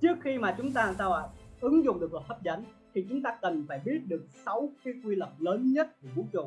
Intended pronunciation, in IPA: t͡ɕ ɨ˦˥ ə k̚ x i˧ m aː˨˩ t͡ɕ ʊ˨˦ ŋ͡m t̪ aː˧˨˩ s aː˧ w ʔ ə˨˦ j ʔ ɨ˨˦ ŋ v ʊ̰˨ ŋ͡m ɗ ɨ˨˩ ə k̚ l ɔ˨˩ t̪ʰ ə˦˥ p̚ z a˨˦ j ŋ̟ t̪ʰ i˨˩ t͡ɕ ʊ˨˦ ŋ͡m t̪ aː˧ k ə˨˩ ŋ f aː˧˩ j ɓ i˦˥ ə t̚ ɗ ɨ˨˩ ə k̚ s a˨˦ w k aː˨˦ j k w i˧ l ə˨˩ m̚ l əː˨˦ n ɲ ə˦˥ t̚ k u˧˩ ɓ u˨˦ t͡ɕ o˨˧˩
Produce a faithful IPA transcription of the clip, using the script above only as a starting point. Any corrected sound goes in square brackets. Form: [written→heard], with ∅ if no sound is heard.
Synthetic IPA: t͡ɕ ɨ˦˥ ə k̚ x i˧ m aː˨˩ t͡ɕ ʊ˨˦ ŋ͡m t̪ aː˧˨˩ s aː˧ w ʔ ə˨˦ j ʔ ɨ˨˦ ŋ [v→z] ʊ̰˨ ŋ͡m ɗ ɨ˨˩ ə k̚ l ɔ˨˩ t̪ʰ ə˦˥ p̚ z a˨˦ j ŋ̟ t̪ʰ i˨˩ t͡ɕ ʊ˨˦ ŋ͡m t̪ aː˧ k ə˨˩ [ŋ→n] f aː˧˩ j ɓ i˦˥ ə t̚ ɗ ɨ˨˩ ə k̚ s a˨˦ w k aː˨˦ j k w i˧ l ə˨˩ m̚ l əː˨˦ n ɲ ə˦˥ t̚ k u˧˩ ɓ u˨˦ t͡ɕ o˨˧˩

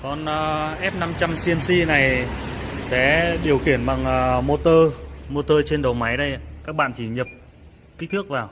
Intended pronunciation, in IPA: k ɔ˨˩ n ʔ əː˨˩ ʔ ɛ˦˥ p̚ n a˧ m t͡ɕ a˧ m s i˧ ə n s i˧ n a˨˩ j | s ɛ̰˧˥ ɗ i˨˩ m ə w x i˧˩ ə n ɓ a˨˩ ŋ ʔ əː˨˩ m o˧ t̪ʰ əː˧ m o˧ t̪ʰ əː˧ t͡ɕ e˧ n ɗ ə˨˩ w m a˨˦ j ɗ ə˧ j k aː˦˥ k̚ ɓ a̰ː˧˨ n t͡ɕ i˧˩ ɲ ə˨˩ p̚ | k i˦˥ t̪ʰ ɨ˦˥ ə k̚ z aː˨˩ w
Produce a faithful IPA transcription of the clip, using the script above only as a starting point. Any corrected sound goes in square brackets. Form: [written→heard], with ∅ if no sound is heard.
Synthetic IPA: k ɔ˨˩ n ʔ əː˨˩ ʔ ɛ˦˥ p̚ n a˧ m t͡ɕ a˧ m s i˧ ə n s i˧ n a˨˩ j | s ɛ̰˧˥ ɗ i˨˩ [m→∅] ə w x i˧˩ ə n ɓ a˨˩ ŋ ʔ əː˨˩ m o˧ [t̪ʰ→t̪] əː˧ m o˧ [t̪ʰ→t̪] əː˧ t͡ɕ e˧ n ɗ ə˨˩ w m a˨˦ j ɗ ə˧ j k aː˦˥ k̚ ɓ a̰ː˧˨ n t͡ɕ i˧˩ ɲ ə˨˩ p̚ | k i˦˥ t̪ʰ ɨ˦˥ ə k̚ [z→v] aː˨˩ w

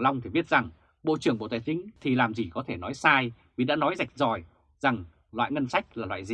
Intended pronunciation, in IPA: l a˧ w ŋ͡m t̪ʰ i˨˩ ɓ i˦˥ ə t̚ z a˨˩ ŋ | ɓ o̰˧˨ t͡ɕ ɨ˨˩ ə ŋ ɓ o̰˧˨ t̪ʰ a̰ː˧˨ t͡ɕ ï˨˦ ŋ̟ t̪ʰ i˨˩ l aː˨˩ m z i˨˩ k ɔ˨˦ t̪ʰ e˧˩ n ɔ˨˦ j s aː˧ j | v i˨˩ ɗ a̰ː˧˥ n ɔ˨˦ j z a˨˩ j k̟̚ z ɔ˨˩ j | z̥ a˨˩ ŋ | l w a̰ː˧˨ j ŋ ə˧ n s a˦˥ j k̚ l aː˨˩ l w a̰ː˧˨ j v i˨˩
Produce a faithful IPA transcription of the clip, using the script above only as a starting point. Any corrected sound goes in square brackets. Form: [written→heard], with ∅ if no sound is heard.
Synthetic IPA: l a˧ w ŋ͡m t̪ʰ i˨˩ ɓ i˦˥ ə t̚ z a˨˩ ŋ | ɓ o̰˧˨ t͡ɕ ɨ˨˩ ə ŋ ɓ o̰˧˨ [t̪ʰ→t̪] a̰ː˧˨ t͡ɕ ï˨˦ ŋ̟ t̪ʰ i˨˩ l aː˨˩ m z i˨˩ k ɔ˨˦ t̪ʰ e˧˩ n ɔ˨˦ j s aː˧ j | v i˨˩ ɗ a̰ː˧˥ n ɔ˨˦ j z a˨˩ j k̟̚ z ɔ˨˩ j | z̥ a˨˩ ŋ | l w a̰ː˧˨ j ŋ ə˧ n s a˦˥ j k̚ l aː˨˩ l w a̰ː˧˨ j [v→z] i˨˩

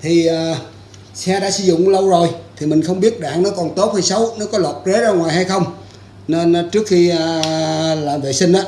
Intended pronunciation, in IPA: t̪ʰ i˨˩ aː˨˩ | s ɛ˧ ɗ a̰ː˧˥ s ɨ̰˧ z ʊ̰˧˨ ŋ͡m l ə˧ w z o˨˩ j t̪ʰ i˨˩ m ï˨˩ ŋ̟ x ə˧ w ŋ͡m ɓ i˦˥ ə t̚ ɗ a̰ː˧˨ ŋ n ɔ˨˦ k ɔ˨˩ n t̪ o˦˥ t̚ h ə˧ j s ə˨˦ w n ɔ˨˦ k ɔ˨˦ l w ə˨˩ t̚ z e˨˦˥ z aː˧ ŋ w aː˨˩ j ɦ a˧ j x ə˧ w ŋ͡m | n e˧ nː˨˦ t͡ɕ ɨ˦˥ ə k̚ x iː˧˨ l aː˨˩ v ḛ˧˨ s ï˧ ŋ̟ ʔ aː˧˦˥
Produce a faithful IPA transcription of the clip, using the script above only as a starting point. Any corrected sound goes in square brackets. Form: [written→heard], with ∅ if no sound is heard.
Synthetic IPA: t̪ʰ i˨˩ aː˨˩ | s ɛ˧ ɗ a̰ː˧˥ s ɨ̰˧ z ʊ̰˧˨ ŋ͡m l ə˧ w z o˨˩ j t̪ʰ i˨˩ m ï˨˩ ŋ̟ x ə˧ w ŋ͡m ɓ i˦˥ ə t̚ ɗ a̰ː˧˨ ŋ n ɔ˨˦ k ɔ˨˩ n t̪ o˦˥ t̚ h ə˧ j s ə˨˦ w n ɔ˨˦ k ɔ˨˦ l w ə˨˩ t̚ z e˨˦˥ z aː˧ ŋ w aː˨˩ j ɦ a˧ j x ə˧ w ŋ͡m | n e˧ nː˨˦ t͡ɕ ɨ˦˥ ə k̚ x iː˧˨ l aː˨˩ v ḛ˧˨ s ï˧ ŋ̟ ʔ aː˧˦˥

